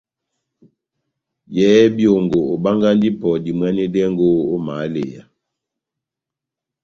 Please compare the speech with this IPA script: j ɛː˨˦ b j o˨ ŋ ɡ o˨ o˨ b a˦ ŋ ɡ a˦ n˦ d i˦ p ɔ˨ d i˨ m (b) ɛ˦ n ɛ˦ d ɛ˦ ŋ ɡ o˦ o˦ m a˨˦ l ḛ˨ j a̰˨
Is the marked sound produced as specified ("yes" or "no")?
no